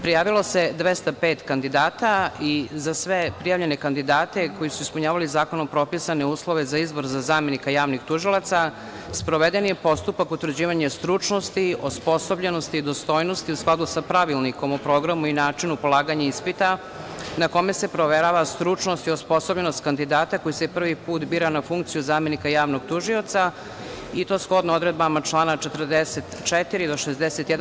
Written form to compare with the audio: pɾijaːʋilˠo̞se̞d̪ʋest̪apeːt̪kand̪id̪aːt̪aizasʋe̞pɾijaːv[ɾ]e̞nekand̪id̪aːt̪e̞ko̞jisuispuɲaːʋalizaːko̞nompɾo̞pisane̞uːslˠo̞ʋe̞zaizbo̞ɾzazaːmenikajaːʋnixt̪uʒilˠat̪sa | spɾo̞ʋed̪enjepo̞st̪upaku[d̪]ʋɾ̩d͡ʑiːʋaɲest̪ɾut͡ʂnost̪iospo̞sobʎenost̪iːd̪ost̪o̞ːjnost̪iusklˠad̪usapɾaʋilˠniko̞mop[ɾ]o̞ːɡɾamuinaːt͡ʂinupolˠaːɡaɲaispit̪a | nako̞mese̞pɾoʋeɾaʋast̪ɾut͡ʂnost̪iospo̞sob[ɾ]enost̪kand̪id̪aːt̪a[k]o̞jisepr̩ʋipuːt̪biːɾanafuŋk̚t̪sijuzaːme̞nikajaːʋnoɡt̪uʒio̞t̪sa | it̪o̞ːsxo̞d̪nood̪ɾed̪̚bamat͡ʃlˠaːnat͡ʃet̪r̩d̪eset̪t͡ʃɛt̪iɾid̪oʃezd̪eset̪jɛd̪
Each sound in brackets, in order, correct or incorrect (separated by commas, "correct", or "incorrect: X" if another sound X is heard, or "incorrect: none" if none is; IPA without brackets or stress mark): incorrect: ʎ, incorrect: t̪, correct, incorrect: ʎ, correct